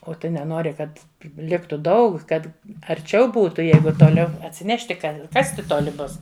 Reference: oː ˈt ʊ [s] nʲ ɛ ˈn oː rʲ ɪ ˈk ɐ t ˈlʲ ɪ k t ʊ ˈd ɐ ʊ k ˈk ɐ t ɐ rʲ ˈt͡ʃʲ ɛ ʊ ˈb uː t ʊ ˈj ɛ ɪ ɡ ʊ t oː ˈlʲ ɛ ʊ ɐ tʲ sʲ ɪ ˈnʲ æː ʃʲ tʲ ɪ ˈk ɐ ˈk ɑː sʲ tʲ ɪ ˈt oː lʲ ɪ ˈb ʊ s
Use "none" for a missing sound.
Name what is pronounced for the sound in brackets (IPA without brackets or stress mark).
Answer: none